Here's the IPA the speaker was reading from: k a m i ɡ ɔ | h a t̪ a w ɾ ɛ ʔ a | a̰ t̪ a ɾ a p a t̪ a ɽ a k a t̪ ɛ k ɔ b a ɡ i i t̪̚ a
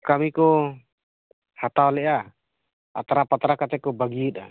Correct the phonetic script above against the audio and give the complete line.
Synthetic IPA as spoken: k a m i k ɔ | h a t̪ a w l ɛ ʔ a | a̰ t̪ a ɾ a p a t̪ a ɾ a k a t̪ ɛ k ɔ b a ɡ i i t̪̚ a